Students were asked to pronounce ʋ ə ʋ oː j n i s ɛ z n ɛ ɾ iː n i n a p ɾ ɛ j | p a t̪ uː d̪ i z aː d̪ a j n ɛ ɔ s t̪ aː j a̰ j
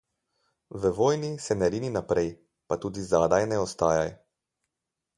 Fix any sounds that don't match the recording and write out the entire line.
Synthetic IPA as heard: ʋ ə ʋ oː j n i s ɛ n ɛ ɾ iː n i n a p ɾ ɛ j | p a t̪ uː d̪ i z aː d̪ a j n ɛ ɔ s t̪ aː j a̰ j